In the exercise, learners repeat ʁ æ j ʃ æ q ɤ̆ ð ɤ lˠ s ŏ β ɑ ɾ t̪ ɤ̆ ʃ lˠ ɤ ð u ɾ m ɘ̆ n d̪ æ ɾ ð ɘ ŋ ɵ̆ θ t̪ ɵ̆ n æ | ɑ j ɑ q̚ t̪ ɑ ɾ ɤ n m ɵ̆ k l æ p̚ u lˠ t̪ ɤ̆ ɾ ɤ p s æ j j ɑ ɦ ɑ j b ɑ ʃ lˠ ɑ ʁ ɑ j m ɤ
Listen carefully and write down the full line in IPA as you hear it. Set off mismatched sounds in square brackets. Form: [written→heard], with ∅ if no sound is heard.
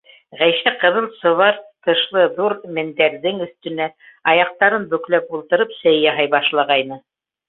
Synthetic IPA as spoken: ʁ æ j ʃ æ q ɤ̆ ð ɤ lˠ s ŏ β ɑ ɾ t̪ ɤ̆ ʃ lˠ ɤ ð u ɾ m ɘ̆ n d̪ æ ɾ ð ɘ ŋ ɵ̆ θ t̪ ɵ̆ n æ | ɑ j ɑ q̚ t̪ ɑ ɾ ɤ n [m→b] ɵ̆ k l æ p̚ u lˠ t̪ ɤ̆ ɾ ɤ p s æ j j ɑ ɦ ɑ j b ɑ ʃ lˠ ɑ ʁ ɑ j [m→n] ɤ